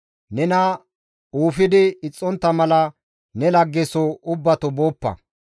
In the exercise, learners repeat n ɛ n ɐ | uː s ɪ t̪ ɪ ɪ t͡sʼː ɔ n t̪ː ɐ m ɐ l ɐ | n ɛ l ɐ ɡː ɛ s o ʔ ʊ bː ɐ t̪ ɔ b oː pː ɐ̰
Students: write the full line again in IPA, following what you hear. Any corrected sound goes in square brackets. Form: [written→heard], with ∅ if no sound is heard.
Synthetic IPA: n ɛ n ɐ | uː [s→f] ɪ [t̪→d̪] ɪ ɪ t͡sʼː ɔ n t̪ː ɐ m ɐ l ɐ | n ɛ l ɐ ɡː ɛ s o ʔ ʊ bː ɐ t̪ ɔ b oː pː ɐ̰